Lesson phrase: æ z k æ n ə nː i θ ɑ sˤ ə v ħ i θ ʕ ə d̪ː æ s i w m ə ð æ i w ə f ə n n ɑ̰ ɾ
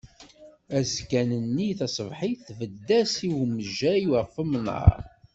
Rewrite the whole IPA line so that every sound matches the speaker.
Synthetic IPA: æ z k æ n ə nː i θ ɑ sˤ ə v ħ i θ v ə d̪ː æ s i w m ə ʒ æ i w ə f ə m n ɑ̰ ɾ